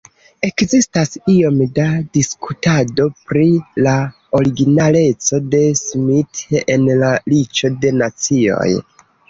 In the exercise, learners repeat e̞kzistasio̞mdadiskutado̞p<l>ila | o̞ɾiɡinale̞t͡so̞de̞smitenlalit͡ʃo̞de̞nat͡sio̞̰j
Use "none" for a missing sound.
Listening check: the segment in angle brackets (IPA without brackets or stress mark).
ɾ